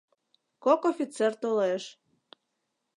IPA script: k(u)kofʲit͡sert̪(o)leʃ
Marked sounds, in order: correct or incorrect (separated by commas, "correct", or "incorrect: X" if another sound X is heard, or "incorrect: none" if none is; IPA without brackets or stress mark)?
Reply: incorrect: o, correct